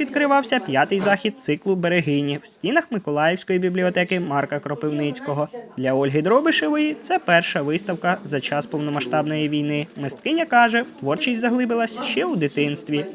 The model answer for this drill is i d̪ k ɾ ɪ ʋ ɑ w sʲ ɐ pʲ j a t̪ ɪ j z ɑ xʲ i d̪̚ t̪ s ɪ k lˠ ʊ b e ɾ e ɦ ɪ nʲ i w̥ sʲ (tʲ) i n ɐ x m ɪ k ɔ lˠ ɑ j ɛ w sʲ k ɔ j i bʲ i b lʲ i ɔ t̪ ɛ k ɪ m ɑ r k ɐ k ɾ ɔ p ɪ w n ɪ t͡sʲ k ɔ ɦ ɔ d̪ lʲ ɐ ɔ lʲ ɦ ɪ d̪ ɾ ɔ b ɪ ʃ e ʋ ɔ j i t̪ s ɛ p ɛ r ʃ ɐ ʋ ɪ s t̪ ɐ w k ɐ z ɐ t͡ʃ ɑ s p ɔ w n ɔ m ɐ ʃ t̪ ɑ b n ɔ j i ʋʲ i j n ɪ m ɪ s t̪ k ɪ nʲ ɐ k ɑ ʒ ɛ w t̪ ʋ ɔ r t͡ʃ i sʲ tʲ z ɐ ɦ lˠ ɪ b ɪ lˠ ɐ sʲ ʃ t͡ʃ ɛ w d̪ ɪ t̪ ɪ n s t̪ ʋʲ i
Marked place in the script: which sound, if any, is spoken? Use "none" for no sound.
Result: tʲ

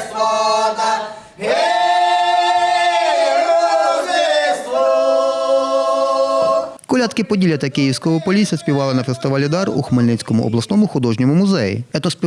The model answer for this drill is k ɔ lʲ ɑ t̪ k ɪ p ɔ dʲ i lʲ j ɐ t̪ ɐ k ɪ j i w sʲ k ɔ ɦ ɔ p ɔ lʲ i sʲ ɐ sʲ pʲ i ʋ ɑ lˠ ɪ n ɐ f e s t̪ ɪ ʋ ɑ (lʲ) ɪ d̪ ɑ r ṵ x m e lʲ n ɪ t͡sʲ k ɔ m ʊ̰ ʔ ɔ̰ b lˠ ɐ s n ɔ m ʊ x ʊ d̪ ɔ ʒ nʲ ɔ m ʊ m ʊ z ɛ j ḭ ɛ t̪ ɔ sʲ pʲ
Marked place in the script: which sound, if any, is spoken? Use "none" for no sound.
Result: lʲ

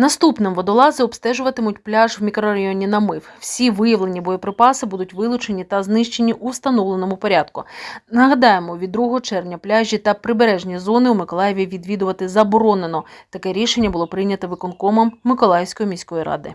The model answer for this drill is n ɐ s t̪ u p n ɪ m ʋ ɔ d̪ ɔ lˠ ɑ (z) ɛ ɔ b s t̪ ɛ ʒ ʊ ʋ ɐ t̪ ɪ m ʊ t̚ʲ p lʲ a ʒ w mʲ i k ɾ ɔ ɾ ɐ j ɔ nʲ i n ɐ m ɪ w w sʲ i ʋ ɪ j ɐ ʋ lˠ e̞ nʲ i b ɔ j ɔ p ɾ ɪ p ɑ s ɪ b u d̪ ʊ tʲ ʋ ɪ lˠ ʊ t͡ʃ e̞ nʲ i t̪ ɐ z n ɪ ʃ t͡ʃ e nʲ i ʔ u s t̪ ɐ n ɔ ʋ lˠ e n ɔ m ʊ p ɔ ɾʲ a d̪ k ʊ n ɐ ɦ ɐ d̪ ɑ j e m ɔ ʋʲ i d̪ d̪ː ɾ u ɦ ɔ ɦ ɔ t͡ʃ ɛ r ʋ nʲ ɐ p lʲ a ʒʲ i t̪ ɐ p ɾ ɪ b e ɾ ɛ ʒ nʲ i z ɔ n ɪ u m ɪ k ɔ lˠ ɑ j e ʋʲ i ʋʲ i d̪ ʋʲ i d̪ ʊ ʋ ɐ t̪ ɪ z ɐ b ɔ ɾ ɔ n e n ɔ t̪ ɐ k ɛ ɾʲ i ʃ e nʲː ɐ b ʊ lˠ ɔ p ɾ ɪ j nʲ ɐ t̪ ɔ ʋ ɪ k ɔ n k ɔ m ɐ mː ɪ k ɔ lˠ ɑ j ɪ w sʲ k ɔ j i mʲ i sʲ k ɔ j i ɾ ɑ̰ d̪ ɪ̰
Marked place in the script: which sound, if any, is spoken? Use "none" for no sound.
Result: z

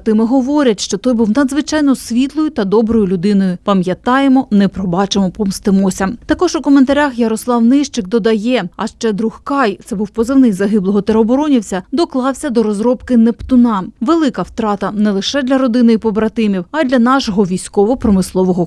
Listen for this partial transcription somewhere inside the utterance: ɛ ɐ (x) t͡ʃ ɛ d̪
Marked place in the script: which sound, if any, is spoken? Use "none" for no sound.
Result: ʃ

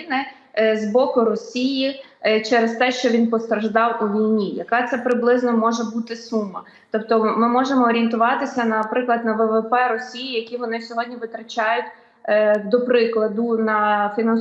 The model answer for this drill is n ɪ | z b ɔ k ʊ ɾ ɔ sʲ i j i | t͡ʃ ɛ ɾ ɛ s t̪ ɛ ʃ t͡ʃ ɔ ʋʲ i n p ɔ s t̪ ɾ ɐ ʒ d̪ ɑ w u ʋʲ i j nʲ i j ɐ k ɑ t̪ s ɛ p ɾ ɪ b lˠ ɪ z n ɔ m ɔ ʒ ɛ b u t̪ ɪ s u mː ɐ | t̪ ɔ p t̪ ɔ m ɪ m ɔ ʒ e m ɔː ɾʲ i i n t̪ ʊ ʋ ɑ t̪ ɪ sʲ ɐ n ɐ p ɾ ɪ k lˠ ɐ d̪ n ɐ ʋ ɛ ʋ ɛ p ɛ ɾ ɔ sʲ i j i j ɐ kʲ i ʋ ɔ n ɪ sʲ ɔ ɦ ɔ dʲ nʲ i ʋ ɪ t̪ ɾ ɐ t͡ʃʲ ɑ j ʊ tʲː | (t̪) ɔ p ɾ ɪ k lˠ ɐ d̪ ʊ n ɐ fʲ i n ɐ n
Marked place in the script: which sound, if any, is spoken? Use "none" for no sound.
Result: d̪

